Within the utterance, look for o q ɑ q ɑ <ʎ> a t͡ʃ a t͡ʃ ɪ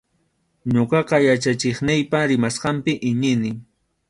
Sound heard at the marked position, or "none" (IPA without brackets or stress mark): j